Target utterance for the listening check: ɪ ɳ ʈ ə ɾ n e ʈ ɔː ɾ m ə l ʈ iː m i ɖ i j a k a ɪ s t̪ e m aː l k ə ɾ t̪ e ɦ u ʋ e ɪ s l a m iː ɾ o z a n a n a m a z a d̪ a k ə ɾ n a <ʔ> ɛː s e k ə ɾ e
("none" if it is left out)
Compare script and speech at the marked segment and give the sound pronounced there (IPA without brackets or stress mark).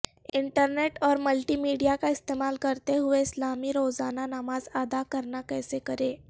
k